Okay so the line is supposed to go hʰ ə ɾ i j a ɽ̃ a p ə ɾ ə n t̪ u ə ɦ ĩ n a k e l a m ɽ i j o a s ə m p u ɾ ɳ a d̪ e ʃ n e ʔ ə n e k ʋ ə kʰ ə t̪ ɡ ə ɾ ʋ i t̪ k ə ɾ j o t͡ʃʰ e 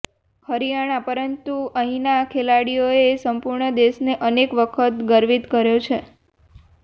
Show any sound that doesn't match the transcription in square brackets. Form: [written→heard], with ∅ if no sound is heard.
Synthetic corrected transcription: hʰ ə ɾ i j a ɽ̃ a p ə ɾ ə n t̪ u ə ɦ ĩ n a [k→kʰ] e l a [m→∅] ɽ i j o [a→e] s ə m p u ɾ ɳ [a→ə] d̪ e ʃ n e ʔ ə n e k ʋ ə kʰ ə t̪ ɡ ə ɾ ʋ i t̪ k ə ɾ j o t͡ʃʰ e